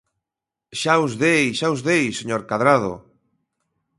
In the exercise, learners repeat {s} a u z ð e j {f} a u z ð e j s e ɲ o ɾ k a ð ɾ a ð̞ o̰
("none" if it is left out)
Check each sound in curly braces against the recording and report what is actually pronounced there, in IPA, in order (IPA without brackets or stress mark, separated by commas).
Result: ʃ, ʃ